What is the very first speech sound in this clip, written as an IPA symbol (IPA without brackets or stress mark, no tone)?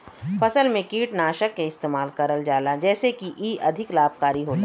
f